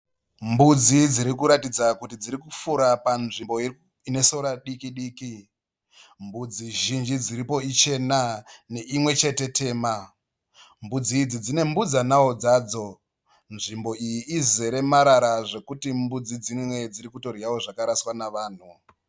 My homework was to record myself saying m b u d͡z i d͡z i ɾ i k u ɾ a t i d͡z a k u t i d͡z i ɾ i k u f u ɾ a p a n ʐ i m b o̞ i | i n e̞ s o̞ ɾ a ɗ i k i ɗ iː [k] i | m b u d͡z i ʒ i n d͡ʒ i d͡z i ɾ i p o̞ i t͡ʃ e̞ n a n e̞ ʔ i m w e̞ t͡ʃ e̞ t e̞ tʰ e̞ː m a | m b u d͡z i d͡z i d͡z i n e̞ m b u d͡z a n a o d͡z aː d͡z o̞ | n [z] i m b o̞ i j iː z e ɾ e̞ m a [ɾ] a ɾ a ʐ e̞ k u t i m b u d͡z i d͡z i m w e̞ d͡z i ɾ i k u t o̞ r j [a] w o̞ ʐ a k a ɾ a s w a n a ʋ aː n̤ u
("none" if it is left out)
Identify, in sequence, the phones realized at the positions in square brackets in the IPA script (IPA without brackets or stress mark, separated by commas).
k, ʐ, ɾ, a